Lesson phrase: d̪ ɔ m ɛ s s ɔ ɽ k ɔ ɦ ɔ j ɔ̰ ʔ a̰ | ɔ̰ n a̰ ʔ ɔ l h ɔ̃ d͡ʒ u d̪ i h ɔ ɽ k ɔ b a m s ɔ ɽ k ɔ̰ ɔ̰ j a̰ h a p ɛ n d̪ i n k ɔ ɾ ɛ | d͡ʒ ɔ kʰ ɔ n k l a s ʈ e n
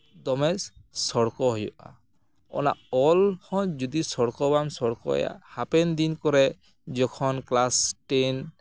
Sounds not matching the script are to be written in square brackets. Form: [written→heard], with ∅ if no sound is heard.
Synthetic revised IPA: d̪ ɔ m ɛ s s ɔ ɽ k ɔ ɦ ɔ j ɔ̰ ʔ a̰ | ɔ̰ n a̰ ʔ ɔ l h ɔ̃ d͡ʒ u d̪ i [h→s] ɔ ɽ k ɔ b a m s ɔ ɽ k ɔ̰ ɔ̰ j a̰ h a p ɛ n d̪ i n k ɔ ɾ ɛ | d͡ʒ ɔ kʰ ɔ n k l a s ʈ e n